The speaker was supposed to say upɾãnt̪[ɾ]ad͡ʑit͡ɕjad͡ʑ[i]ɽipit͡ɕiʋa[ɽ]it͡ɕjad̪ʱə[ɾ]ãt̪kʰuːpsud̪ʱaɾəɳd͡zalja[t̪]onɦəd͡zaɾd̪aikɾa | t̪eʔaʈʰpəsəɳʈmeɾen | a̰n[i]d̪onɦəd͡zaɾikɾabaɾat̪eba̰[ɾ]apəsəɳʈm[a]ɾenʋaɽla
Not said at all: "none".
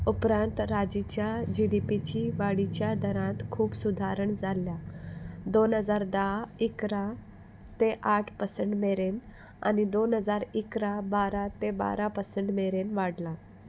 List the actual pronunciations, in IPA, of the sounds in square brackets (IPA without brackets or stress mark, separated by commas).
ɾ, i, ɽ, ɾ, d̪, i, ɾ, e